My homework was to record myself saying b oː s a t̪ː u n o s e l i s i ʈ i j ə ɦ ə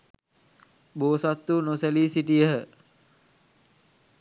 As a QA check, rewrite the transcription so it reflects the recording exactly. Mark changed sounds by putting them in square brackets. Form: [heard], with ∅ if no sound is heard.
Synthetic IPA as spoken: b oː s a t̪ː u n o s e l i s i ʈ i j ə ɦ ə